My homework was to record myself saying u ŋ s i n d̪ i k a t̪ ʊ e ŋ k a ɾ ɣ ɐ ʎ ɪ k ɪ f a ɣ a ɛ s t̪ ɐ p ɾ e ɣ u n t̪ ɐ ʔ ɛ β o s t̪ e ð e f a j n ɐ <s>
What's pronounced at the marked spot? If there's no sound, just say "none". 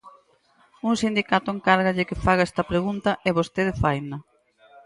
none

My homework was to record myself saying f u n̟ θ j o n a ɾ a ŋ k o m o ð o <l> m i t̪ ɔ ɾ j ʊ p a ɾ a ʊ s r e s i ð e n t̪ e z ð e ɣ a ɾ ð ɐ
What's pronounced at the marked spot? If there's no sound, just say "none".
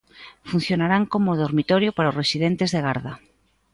ɾ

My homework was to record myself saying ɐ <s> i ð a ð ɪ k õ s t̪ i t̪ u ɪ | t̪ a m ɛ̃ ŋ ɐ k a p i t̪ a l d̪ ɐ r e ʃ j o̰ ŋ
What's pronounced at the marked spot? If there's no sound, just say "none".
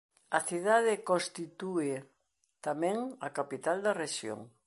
θ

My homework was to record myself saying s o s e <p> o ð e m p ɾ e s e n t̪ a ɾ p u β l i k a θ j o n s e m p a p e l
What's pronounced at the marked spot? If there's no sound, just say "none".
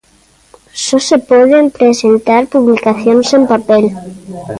p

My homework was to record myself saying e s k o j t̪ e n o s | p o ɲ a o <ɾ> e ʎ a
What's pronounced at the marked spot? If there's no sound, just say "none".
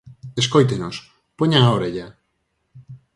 ɾ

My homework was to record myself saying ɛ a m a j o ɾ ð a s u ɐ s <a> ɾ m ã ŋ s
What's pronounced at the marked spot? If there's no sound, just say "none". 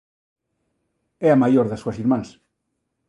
i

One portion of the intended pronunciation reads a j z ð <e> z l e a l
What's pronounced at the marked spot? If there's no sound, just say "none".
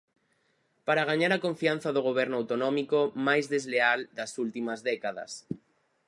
e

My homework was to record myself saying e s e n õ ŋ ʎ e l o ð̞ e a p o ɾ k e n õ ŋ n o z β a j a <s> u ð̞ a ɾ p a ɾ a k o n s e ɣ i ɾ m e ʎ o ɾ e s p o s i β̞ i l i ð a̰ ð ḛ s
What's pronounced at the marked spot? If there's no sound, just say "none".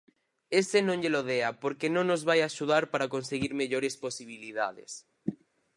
ʃ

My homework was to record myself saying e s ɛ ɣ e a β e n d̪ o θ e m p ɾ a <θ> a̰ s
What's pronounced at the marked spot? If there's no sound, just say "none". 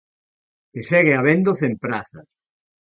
θ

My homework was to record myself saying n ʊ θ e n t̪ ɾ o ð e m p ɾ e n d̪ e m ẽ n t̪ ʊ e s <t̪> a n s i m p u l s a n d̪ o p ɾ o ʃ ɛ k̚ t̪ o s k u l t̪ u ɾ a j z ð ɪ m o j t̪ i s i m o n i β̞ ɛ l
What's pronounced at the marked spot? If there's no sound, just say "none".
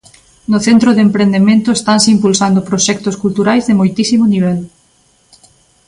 t̪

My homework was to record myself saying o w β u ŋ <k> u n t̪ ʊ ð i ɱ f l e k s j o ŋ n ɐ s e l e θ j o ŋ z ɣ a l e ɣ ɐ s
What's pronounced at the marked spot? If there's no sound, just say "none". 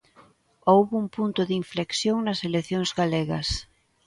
p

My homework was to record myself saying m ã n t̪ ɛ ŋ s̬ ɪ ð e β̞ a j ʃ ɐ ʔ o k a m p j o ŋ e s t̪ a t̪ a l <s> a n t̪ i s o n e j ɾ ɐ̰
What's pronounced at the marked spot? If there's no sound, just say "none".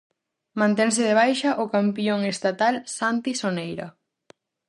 s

